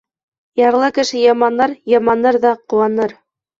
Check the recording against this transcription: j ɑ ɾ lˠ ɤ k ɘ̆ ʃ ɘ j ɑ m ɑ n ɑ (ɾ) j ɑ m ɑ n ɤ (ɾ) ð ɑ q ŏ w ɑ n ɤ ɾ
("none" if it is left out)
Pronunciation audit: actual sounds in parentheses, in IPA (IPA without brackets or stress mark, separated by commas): ɾ, ɾ